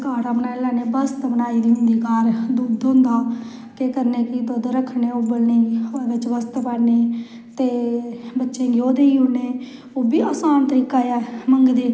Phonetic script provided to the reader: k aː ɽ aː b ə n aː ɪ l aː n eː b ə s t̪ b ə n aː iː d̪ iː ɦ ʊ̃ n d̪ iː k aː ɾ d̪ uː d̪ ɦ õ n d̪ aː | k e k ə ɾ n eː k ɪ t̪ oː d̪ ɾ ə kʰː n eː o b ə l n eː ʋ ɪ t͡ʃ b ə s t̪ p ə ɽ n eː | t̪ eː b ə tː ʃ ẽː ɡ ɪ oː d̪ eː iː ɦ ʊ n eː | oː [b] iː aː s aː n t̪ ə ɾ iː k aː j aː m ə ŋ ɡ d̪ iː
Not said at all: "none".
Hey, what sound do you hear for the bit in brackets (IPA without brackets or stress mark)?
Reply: b